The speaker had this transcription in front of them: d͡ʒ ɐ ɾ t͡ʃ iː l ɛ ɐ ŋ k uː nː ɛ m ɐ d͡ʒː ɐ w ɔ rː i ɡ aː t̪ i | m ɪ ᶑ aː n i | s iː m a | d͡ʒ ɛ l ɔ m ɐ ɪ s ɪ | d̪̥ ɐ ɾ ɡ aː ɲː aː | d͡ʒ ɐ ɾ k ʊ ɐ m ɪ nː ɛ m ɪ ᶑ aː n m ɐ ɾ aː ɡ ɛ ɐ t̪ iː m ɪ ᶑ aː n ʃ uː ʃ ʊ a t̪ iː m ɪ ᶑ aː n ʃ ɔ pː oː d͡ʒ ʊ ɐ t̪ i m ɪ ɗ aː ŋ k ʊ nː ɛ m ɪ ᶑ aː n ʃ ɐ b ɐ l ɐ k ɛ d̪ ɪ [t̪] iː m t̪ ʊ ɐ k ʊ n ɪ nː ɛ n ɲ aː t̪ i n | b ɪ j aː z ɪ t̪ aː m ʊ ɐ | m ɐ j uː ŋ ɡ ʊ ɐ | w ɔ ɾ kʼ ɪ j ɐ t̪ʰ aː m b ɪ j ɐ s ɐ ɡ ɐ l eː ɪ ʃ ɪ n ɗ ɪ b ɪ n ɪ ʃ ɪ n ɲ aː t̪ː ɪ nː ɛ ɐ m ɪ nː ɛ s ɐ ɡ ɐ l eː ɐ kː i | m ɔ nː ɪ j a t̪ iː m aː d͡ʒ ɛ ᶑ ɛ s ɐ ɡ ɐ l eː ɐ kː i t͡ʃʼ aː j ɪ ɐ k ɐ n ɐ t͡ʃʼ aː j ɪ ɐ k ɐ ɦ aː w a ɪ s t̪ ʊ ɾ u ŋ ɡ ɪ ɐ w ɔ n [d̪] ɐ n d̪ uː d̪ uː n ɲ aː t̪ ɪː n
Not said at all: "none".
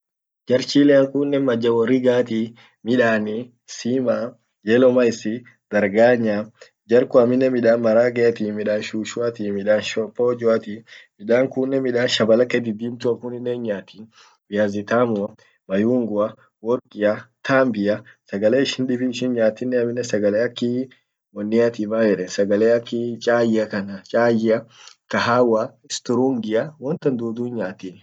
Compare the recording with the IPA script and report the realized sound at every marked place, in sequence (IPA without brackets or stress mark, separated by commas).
d̪, t̪